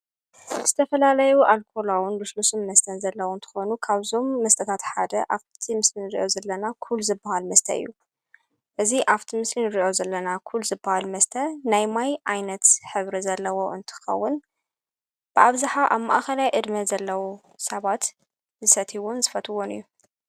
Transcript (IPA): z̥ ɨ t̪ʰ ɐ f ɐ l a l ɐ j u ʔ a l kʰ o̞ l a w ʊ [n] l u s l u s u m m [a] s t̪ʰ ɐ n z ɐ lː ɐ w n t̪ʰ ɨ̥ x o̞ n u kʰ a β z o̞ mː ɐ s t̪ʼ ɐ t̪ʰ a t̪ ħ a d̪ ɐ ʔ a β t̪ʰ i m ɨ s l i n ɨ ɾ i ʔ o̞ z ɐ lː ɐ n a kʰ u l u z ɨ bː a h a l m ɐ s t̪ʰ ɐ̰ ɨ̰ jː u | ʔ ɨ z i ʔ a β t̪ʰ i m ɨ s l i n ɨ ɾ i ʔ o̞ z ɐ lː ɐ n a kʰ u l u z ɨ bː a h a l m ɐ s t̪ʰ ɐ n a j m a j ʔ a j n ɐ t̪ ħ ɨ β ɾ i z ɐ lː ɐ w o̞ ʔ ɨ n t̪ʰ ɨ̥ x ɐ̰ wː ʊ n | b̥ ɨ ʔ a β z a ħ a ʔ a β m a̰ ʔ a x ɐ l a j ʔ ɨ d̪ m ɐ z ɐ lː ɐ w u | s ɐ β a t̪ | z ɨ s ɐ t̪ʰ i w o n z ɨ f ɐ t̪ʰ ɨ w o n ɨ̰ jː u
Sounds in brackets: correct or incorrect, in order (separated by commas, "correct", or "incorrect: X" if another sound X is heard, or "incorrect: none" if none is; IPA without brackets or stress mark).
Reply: correct, incorrect: ɐ